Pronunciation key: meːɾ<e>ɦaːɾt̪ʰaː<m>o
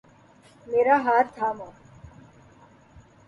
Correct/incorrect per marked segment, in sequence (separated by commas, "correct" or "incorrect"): incorrect, correct